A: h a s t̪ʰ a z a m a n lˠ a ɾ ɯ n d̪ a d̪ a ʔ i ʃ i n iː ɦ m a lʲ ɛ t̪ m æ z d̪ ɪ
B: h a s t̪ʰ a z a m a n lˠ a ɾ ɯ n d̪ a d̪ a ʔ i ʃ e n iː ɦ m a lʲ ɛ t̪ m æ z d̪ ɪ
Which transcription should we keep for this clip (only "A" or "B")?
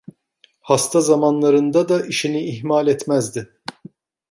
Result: A